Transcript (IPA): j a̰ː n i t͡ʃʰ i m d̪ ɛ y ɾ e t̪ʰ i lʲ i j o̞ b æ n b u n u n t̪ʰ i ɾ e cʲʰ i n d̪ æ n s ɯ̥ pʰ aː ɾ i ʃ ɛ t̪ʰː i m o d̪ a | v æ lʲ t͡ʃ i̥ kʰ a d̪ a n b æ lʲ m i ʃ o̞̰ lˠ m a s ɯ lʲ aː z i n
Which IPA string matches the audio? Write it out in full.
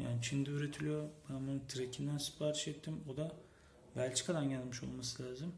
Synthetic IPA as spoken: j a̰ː n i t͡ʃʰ i n d̪ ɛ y ɾ e t̪ʰ i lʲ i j o̞ b æ n b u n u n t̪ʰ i ɾ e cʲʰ i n d̪ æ n s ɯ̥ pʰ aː ɾ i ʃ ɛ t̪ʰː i m o d̪ a | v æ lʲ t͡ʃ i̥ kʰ a d̪ a n ɟ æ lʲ m i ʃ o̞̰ lˠ m a s ɯ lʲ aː z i m